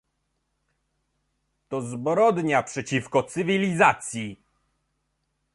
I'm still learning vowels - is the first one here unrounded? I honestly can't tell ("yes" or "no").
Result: no